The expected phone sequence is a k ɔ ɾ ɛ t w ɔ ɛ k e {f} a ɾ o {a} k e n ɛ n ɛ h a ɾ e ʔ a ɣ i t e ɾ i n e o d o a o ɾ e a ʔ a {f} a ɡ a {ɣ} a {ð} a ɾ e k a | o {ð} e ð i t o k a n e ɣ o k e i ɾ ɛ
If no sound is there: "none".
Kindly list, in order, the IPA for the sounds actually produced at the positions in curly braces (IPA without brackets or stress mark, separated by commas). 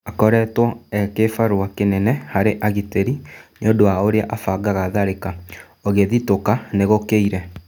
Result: f, a, f, ɣ, ð, ɣ